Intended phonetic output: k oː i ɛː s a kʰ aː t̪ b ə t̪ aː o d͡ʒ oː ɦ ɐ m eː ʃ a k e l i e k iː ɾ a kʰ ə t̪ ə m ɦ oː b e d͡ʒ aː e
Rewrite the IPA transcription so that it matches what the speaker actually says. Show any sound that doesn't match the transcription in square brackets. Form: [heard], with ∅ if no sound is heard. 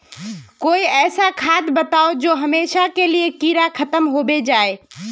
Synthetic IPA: k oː i ɛː s a kʰ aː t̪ b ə t̪ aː o d͡ʒ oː ɦ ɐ m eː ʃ a k e l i e k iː ɾ a kʰ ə t̪ ə m ɦ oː b e d͡ʒ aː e